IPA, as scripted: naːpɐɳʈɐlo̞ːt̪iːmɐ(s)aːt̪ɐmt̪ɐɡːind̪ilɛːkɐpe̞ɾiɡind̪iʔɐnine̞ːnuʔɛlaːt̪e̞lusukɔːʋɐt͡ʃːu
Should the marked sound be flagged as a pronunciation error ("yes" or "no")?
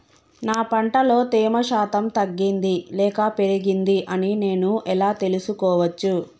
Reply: yes